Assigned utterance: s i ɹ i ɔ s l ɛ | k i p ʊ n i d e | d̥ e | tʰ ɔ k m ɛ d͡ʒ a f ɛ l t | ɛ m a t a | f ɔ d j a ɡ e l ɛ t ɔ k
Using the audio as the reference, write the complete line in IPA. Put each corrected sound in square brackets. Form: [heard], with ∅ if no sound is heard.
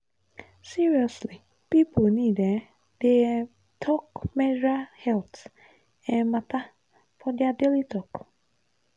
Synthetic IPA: s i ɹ i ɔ s l [i] | [p] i p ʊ n i d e | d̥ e | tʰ ɔ k m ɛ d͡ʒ a [h] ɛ l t | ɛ m a t a | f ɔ d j a [d] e l [i] t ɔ k